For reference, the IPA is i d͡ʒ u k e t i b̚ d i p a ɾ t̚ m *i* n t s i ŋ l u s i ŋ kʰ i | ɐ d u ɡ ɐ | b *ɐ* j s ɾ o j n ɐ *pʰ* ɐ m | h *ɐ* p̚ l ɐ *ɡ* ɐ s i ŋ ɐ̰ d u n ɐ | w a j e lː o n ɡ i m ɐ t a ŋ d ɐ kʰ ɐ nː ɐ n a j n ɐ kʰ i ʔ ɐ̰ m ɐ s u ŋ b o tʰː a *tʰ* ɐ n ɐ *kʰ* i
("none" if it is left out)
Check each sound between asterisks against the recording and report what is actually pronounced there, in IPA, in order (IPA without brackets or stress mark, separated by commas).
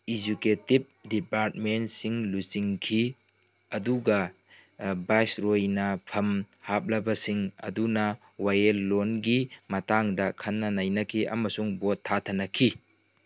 e, a, pʰ, a, b, tʰ, kʰ